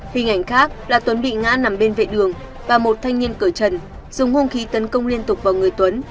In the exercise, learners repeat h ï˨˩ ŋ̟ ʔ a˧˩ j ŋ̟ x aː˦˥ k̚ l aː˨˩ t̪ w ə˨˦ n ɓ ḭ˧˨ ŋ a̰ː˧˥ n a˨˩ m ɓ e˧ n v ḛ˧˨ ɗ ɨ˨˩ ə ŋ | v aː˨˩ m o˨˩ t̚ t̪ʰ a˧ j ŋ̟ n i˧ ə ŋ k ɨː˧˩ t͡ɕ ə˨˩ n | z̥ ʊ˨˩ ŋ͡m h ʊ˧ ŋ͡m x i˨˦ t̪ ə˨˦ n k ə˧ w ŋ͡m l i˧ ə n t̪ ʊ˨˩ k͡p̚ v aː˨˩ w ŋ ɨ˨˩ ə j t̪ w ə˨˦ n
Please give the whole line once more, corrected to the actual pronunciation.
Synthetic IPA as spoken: h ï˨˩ ŋ̟ ʔ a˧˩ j ŋ̟ x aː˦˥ k̚ l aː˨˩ t̪ w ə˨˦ n ɓ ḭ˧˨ ŋ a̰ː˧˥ n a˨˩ m ɓ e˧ n v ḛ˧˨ ɗ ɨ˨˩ ə ŋ | v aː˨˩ m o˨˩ t̚ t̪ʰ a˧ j ŋ̟ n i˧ ə n k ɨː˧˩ t͡ɕ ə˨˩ n | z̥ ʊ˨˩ ŋ͡m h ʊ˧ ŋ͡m x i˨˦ t̪ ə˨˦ n k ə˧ w ŋ͡m l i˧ ə n t̪ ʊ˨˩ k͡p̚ v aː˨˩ w ŋ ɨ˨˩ ə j t̪ w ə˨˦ n